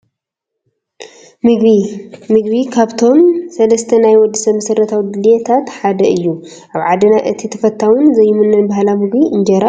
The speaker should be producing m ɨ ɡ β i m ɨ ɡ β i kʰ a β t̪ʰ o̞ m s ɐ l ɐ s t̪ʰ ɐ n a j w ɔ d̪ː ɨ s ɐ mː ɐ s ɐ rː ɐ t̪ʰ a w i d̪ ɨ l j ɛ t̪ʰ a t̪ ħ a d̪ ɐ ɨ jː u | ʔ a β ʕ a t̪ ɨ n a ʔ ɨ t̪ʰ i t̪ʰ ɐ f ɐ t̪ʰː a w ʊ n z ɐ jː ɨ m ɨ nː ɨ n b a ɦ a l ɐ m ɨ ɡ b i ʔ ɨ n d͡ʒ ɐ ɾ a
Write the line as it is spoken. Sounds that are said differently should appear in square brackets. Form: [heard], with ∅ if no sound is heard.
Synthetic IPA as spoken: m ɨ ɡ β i m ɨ ɡ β i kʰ a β t̪ʰ o̞ m s ɐ l ɐ s t̪ʰ ɐ n a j w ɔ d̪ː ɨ s ɐ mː ɐ s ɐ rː ɐ t̪ʰ a w i d̪ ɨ l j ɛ t̪ʰ a t̪ ħ a d̪ ɐ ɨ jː u | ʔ a β ʕ a [d̪] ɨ n a ʔ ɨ t̪ʰ i t̪ʰ ɐ f ɐ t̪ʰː a w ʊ n z ɐ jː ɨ m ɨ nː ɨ n b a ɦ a l [a] m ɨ ɡ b i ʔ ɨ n d͡ʒ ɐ ɾ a